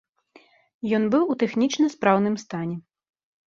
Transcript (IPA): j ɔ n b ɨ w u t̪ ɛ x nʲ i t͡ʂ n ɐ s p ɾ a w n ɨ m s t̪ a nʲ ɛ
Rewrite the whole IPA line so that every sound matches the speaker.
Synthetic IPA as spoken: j ɔ n b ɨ w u t̪ ɛ x nʲ i t͡ʂ n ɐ s p ɾ a w n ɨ m s t̪ a nʲ ɛ